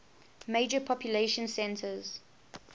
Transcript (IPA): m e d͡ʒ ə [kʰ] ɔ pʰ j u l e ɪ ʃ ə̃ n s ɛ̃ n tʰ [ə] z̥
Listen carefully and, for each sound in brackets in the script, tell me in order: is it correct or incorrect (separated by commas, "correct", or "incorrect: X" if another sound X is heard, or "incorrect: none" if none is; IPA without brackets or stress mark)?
incorrect: pʰ, correct